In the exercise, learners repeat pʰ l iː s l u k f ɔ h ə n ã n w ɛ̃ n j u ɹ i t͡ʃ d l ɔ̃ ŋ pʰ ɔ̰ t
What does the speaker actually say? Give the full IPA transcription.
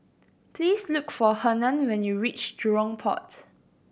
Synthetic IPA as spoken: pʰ l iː s l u k f ɔ h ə n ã n w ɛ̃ n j u ɹ i t͡ʃ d ɹ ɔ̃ ŋ pʰ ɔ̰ t